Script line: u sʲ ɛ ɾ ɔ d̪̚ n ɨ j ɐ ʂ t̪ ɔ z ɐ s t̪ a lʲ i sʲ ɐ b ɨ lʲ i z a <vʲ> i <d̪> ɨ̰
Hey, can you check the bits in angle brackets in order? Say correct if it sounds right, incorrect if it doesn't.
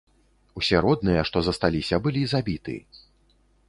incorrect, incorrect

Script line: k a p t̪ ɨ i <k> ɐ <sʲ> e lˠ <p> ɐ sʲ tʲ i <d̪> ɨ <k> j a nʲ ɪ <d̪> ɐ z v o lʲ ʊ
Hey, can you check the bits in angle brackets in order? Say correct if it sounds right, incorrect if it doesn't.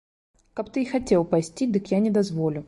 incorrect, incorrect, correct, correct, correct, correct

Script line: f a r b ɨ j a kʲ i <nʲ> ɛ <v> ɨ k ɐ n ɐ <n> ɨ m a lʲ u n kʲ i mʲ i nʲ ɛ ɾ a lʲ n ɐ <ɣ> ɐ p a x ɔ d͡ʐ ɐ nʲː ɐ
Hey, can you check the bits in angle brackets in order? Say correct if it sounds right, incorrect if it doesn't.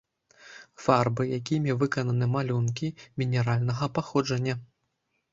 incorrect, correct, correct, correct

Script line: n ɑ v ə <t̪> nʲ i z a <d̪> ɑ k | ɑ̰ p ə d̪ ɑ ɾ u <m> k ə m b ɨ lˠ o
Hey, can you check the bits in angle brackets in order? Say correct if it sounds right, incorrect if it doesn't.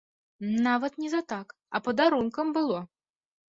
correct, incorrect, incorrect

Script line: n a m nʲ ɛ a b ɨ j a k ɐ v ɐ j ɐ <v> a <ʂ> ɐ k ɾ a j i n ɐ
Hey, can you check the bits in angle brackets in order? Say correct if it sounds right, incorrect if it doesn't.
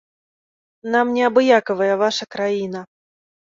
correct, correct

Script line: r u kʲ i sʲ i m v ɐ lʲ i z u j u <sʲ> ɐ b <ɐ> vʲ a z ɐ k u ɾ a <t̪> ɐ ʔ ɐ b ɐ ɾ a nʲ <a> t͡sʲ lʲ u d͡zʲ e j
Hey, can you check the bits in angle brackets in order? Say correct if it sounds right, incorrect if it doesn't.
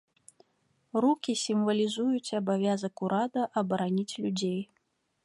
incorrect, incorrect, incorrect, incorrect

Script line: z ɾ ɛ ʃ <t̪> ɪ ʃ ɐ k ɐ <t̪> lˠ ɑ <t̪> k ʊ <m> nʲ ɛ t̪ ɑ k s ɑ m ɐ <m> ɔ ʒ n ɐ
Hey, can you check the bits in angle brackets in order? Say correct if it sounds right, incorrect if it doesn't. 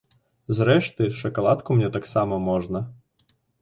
correct, incorrect, correct, correct, correct

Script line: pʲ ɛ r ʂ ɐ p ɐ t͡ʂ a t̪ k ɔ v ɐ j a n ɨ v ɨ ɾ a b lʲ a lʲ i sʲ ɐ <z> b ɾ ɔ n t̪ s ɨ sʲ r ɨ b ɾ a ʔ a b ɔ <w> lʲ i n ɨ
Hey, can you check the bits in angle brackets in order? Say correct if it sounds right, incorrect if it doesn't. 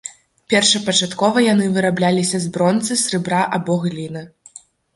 correct, incorrect

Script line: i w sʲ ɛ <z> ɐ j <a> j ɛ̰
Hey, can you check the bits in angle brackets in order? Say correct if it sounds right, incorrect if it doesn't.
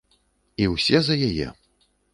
correct, correct

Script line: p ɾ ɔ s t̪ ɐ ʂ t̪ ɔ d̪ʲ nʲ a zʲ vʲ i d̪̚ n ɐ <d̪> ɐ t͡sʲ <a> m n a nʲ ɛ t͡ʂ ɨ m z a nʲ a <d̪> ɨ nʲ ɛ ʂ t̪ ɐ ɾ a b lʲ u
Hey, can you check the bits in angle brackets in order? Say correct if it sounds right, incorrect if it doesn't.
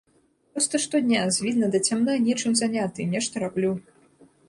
correct, correct, incorrect

